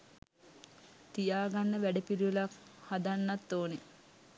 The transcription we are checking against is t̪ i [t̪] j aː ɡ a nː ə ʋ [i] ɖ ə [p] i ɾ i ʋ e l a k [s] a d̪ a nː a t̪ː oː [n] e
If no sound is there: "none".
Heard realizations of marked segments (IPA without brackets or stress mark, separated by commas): none, æ, p, h, n